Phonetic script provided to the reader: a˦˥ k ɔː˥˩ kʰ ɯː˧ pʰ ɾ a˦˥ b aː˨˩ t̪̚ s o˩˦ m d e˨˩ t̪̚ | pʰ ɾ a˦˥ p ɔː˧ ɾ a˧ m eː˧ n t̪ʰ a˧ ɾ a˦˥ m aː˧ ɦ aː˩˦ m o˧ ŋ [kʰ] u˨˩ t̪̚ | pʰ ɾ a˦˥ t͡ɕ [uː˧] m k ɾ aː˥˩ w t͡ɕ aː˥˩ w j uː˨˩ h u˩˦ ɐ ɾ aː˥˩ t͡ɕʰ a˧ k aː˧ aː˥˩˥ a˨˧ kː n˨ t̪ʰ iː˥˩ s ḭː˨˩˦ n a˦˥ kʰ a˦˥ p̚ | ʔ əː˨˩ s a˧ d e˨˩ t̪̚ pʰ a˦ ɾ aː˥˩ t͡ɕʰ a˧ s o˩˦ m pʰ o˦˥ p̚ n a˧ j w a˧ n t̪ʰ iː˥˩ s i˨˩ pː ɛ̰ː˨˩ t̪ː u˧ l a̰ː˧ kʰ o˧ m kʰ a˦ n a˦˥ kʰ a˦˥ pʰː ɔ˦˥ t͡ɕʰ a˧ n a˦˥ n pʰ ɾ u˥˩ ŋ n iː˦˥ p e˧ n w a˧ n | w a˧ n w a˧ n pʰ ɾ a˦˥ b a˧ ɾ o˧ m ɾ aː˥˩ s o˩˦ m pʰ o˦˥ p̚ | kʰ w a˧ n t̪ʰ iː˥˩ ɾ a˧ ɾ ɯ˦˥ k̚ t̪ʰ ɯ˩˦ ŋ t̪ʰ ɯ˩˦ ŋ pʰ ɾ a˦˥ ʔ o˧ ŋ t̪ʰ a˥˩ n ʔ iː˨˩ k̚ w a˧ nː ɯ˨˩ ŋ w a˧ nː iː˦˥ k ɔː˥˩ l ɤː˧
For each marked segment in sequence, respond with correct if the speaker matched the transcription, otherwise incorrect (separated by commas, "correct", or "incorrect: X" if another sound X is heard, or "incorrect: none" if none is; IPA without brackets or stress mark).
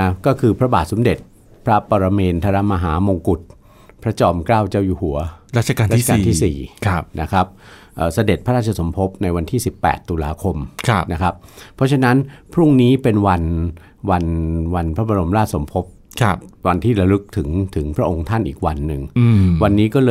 incorrect: k, incorrect: ɔː˧